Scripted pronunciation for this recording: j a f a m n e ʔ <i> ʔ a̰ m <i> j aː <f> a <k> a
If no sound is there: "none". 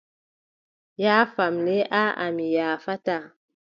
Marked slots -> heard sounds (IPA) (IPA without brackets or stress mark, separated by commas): a, i, f, t